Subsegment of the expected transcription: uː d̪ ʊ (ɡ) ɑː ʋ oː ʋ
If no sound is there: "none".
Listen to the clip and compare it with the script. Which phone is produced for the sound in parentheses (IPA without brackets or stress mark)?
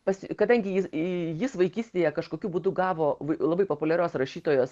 ɡ